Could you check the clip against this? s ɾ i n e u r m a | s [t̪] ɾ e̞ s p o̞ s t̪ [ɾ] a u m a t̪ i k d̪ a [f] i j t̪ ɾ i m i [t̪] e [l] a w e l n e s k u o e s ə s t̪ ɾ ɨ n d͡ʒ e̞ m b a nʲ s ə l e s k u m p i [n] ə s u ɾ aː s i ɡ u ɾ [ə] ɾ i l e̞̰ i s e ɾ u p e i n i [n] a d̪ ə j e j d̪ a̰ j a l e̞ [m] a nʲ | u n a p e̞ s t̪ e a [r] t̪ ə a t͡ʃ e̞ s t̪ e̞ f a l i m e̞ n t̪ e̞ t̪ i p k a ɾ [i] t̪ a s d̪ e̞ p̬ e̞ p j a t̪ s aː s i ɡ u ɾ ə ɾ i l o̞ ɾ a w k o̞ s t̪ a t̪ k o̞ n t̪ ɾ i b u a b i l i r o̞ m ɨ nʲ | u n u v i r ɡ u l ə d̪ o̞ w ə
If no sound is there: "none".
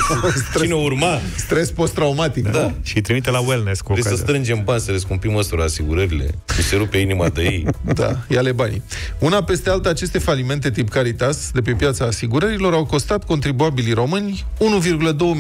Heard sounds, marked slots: t̪, ɾ, ʃ, t̪, l, m, ə, m, b, l, i

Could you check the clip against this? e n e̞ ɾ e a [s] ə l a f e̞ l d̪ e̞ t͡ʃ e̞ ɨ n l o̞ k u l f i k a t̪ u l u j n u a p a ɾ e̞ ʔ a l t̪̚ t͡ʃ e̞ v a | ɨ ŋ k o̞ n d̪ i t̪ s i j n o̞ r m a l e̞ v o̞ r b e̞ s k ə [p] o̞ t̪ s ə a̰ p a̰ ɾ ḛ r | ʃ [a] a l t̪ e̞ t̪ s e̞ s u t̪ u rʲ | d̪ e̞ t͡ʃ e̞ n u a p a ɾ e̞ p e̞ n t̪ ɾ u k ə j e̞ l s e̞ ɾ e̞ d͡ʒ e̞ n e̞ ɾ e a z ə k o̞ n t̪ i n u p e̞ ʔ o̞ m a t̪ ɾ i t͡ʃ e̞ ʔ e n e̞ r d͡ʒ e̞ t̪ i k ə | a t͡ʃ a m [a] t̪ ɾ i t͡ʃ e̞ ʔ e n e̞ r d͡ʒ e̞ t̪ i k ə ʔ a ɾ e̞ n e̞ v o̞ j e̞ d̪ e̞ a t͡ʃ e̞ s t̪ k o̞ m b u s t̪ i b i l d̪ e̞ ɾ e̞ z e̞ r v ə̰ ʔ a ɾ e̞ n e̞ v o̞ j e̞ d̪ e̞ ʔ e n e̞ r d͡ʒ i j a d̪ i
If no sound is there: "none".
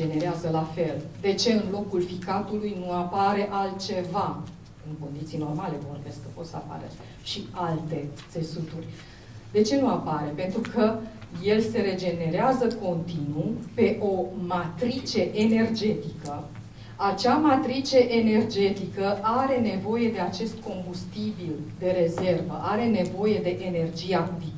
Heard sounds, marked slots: z, p, i, a

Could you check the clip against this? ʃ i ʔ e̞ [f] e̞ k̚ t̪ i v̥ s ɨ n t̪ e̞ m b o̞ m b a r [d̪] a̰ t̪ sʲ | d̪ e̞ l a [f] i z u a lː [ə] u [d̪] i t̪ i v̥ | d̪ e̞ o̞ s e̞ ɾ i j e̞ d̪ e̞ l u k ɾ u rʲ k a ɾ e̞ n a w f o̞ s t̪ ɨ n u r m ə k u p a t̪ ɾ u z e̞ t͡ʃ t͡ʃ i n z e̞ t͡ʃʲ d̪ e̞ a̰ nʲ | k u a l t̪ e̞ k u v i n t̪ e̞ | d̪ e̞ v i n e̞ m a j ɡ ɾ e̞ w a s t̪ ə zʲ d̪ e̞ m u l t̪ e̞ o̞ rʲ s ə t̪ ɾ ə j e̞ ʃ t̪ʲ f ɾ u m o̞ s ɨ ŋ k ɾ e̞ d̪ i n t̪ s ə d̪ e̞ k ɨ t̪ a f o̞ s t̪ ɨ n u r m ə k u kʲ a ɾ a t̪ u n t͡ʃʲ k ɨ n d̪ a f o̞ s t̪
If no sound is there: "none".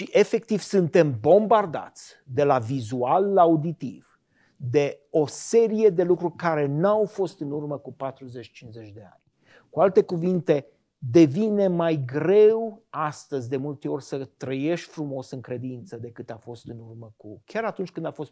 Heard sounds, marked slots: f, d̪, v, a, d̪

